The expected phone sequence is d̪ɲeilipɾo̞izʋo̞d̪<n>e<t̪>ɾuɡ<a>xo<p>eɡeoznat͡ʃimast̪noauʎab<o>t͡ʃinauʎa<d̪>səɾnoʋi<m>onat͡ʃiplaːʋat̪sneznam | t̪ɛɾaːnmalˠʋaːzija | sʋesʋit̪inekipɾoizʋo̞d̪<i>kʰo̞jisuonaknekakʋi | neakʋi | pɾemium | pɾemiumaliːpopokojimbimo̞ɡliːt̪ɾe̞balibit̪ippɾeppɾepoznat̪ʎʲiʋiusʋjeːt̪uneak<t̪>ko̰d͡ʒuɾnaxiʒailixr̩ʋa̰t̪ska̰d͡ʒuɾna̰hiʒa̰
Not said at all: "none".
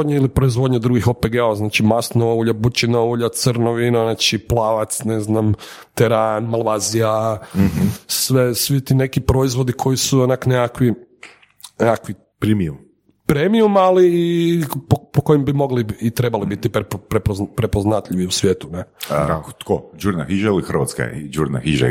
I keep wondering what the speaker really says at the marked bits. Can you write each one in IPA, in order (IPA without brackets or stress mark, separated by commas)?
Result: ɲ, d̪, i, p, u, t̪, n, i, t̪